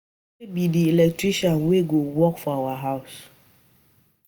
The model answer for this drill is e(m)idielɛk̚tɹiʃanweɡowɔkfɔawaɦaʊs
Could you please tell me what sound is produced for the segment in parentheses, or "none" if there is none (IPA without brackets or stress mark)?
b